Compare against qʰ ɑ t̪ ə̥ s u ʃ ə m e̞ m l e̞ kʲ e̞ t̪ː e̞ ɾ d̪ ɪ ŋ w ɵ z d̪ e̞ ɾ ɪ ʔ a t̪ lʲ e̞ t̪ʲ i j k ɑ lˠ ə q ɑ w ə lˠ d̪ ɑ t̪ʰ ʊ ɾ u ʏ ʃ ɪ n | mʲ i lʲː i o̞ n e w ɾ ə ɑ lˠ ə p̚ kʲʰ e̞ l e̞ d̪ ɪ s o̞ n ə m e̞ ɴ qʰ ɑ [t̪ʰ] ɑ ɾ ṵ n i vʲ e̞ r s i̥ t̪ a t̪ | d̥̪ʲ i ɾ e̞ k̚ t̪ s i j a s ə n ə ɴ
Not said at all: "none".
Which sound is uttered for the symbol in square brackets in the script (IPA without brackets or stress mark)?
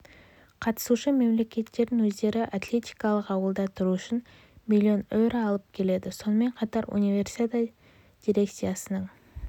t̪